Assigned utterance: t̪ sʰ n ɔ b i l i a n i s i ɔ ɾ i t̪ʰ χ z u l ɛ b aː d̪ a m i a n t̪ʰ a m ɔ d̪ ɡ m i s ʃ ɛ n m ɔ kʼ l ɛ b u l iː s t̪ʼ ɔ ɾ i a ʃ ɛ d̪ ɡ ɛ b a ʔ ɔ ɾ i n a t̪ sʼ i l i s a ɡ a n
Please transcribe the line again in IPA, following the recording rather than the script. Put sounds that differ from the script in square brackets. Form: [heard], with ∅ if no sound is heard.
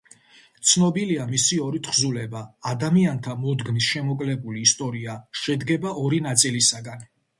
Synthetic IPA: t̪ sʰ n ɔ b i l i a [m] i s i ɔ ɾ i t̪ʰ χ z u l ɛ b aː d̪ a m i a n t̪ʰ a m ɔ d̪ ɡ m i s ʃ ɛ [∅] m ɔ kʼ l ɛ b u l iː s t̪ʼ ɔ ɾ i a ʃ ɛ d̪ ɡ ɛ b a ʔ ɔ ɾ i n a t̪ sʼ i l i s a ɡ a n